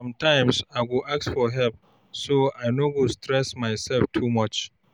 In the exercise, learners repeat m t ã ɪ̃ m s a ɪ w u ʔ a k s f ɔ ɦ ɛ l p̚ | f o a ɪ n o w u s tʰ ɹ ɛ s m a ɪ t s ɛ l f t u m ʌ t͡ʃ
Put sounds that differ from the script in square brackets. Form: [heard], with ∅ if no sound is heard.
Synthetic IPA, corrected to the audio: m t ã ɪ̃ m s a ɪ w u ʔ a k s f ɔ ɦ ɛ l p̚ | [s] o a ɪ n o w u s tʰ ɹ ɛ s m a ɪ [∅] s ɛ l f [tʰ] u m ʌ t͡ʃ